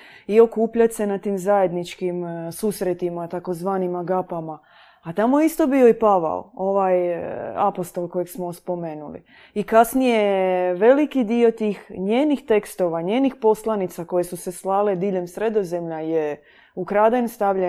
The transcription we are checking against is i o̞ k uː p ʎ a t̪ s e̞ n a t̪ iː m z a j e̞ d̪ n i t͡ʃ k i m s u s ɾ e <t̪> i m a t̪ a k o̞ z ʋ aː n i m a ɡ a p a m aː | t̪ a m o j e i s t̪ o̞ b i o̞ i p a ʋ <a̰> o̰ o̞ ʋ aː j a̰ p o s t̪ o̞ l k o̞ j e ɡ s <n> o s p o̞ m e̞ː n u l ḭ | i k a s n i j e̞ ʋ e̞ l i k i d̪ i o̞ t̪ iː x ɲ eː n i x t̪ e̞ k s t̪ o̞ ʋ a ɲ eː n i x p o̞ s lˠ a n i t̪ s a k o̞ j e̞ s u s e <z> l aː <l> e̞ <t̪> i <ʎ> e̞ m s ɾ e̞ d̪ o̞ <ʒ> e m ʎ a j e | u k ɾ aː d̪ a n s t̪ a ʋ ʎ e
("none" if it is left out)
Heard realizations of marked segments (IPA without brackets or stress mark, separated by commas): t̪, a̰, m, s, l, d̪, ʎ, z